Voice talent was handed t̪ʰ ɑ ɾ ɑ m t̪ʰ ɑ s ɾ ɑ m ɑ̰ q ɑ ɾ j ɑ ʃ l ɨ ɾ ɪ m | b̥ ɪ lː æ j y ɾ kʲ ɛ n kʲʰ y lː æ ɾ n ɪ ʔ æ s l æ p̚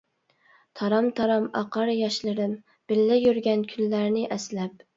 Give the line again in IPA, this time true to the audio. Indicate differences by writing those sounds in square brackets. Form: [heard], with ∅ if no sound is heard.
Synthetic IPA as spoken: t̪ʰ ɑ ɾ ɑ m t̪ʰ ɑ [∅] ɾ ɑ m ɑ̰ q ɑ ɾ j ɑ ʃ l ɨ ɾ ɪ m | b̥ ɪ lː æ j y ɾ [ɡʲ] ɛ n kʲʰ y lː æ ɾ n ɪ ʔ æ s l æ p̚